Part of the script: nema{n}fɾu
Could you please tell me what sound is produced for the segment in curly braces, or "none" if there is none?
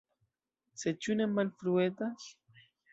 n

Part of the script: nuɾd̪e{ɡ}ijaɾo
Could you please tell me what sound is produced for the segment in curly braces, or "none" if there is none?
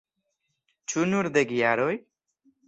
ɡ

